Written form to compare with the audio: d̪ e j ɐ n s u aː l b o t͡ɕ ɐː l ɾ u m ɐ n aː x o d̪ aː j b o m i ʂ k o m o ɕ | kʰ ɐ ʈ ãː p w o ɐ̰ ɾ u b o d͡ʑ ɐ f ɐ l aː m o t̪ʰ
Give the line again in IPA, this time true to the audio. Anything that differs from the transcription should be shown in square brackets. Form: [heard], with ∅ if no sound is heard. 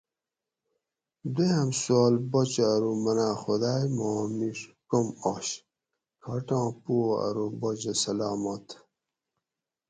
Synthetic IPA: d̪ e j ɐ [m] s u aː l b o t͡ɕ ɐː [∅] ɾ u m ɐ n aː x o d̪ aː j [m] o m i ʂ k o m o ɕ | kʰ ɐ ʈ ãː p [u] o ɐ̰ ɾ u b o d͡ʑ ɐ [s] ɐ l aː m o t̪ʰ

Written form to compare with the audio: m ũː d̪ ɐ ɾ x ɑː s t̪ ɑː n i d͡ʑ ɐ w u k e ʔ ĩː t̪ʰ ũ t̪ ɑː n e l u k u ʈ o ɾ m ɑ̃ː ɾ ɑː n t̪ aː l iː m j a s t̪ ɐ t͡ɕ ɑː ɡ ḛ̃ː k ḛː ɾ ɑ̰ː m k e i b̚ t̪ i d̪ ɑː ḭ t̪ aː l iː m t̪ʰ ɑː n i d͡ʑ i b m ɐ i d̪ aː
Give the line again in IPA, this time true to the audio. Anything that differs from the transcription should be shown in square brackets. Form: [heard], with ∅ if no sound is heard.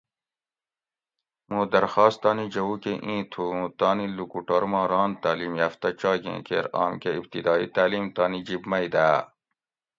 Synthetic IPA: m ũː d̪ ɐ ɾ x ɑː s t̪ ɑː n i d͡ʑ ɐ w u k e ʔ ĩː t̪ʰ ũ t̪ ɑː n [i] l u k u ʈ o ɾ m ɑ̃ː ɾ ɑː n t̪ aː l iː m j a [f] t̪ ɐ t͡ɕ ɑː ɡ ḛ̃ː k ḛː ɾ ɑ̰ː m k e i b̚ t̪ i d̪ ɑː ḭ t̪ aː l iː m [t̪] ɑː n i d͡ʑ i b m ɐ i d̪ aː

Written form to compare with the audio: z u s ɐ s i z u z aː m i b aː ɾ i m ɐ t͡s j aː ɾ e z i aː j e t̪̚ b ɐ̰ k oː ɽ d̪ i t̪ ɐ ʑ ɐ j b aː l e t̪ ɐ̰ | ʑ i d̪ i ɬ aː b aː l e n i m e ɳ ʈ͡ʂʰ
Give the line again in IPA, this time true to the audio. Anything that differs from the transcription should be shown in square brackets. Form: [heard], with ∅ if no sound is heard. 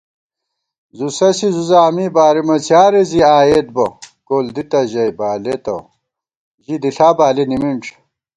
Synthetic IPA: z u s ɐ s i z u z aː m i b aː ɾ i m ɐ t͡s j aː ɾ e z i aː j e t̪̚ b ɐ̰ k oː [l] d̪ i t̪ ɐ ʑ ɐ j b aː l e t̪ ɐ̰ | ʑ i d̪ i ɬ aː b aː l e n i m [i] ɳ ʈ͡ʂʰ

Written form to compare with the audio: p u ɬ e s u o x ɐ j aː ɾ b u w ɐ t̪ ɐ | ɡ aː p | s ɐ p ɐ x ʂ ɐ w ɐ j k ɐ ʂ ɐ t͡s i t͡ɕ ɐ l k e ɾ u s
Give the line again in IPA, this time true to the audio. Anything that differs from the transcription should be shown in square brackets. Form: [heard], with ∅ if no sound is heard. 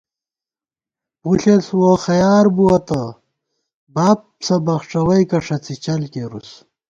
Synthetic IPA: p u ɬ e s [w] o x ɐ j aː ɾ b u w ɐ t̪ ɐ | [b] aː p | s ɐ [b] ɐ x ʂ ɐ w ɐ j k ɐ ʂ ɐ t͡s i t͡ɕ ɐ l k e ɾ u s

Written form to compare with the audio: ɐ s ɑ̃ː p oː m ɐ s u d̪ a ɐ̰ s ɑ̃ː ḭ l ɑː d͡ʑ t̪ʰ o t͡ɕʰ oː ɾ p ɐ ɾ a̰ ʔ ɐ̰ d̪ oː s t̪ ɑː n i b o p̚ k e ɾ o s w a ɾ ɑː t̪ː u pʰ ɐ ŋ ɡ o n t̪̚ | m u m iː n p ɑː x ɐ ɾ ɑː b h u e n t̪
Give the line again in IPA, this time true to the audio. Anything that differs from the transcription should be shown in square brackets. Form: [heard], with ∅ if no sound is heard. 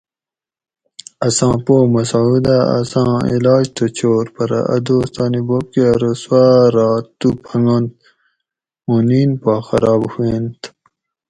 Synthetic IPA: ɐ s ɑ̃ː p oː m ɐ s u d̪ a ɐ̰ s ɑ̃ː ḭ l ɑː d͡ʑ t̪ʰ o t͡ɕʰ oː ɾ p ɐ ɾ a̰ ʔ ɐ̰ d̪ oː s t̪ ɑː n i b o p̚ k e ɾ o s w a ɾ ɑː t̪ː u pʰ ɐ ŋ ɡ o n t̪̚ | m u [n] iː n p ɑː x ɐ ɾ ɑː b h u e n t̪

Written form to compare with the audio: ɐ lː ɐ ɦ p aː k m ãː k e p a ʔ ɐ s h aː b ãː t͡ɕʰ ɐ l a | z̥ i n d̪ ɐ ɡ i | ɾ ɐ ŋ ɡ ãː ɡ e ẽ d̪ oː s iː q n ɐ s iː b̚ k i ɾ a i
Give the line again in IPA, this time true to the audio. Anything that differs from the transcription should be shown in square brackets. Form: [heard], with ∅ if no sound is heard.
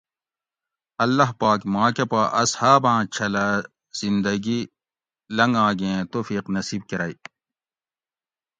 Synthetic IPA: ɐ lː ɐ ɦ p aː k m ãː k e p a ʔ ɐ s h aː b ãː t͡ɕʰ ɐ l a | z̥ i n d̪ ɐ ɡ i | [l] ɐ ŋ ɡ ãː ɡ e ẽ [t̪] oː [f] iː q n ɐ s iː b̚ k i ɾ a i

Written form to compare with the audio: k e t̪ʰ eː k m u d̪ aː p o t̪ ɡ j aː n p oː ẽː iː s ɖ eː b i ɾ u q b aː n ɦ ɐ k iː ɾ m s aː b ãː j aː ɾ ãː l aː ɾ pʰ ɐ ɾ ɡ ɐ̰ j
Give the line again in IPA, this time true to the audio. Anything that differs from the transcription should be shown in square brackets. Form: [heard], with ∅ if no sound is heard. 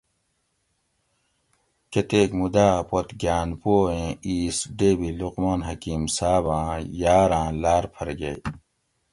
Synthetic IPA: k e [t̪] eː k m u d̪ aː p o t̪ ɡ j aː n p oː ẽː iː s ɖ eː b i [l] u q [m] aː n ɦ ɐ k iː [∅] m s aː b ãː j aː ɾ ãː l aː ɾ pʰ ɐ ɾ ɡ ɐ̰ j

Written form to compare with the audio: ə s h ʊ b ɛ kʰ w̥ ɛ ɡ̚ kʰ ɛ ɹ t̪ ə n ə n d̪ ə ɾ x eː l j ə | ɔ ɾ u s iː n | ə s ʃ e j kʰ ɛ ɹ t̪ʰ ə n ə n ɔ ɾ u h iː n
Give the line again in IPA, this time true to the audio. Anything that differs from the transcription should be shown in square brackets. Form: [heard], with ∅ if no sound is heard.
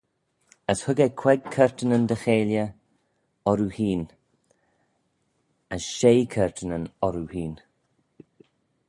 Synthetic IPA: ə s h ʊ [ɡ] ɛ kʰ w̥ ɛ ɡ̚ kʰ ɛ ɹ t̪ ə n ə n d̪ ə [∅] x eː l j ə | ɔ ɾ u [h] iː n | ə s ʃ e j kʰ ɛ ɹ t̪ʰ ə n ə n ɔ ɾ u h iː n

